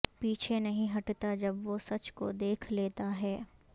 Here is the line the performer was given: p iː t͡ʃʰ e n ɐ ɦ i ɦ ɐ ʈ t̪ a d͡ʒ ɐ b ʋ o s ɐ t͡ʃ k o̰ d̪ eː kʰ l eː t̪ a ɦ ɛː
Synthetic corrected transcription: p iː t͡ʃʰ e n ɐ ɦ ĩ ɦ ɐ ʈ t̪ a d͡ʒ ɐ b ʋ o s ɐ t͡ʃ k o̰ d̪ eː kʰ l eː t̪ a ɦ ɛː